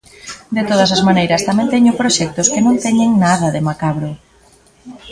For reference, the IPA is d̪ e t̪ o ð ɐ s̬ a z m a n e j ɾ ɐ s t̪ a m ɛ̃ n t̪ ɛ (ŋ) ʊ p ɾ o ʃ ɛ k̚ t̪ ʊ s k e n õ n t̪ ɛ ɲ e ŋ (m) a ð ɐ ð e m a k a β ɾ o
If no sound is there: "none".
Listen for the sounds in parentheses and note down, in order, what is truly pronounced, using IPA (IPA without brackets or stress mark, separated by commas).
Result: ɲ, n